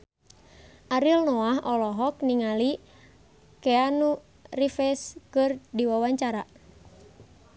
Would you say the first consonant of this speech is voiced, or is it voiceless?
voiced